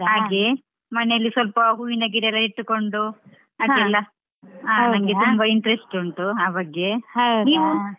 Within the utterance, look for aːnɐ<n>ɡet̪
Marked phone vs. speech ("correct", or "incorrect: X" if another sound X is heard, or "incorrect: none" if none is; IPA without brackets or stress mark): incorrect: ŋ